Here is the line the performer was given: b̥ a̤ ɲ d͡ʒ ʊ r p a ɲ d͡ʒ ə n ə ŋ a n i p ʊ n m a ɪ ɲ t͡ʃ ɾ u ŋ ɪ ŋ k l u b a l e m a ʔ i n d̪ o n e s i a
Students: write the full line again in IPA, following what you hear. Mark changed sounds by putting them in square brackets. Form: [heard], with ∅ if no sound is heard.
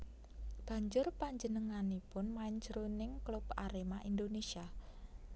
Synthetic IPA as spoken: b̥ a̤ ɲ d͡ʒ ʊ r p a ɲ d͡ʒ ə n ə ŋ a n i p ʊ n m a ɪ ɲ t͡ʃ ɾ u [n] ɪ ŋ k l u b a [ɾ] e m a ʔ i n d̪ o n e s i a